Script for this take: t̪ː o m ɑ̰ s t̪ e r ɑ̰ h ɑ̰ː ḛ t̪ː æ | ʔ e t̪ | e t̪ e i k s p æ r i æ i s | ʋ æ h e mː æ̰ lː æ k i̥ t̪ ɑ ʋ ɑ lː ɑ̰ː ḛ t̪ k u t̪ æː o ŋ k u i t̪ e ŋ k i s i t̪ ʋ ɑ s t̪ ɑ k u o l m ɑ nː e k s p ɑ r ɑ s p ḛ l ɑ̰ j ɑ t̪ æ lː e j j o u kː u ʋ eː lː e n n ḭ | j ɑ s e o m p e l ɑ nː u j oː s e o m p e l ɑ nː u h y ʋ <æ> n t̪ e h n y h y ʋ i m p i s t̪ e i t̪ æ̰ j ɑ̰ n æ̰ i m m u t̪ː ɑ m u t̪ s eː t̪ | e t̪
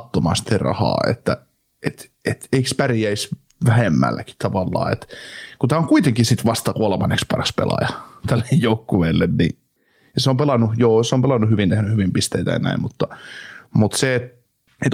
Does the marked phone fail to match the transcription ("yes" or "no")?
yes